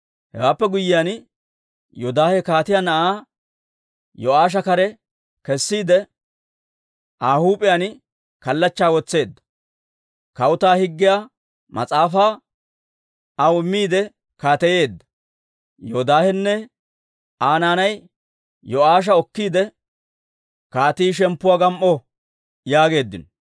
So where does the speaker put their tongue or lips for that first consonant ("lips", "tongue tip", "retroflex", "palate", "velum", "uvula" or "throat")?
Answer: throat